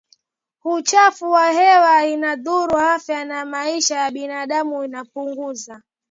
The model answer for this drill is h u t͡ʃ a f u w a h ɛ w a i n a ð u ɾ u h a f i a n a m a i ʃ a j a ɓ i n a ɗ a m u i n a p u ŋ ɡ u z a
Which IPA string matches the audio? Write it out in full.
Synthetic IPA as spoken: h u t͡ʃ a f u w a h ɛ w a i n a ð u ɾ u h a f j a n a m a i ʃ a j a ɓ i n a ɗ a m u i n a p u ŋ ɡ u z a